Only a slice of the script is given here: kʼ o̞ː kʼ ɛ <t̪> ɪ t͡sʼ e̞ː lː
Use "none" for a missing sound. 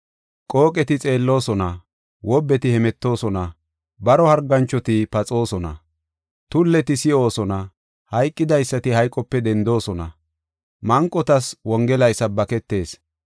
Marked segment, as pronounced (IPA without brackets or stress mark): t̪